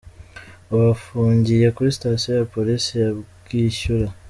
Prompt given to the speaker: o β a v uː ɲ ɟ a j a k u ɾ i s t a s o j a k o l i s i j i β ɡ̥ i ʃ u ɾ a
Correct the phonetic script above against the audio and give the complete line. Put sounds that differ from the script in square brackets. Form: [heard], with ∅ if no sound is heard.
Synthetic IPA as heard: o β a [f] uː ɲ ɟ [i] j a k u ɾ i s t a s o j a [p] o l i s i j [a] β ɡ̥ i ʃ u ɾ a